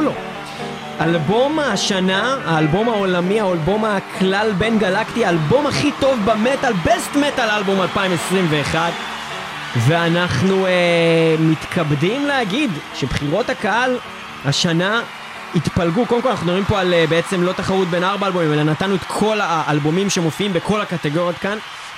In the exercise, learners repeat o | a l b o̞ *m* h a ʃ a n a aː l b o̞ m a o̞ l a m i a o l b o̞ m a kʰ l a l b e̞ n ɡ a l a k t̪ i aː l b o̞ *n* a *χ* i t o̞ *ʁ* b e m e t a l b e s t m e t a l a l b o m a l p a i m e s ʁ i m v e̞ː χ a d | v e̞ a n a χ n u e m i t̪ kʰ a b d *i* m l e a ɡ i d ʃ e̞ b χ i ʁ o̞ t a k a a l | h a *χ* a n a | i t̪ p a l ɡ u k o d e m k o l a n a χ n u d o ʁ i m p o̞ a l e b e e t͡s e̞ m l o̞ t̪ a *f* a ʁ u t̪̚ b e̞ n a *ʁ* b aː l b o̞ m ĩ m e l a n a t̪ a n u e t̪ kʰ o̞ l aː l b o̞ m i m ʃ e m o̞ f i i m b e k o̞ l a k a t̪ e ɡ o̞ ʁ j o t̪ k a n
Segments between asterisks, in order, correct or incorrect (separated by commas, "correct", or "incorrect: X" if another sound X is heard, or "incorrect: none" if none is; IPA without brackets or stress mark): correct, incorrect: m, correct, incorrect: v, correct, incorrect: ʃ, incorrect: χ, correct